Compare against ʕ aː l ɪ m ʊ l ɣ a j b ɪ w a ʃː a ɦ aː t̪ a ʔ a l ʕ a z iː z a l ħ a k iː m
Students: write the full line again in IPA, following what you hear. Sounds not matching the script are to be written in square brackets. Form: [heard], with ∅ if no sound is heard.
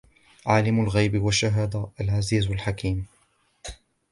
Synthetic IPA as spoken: ʕ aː l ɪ m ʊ l ɣ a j b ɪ w a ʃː a ɦ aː [d̪] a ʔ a l ʕ a z iː z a l ħ a k iː m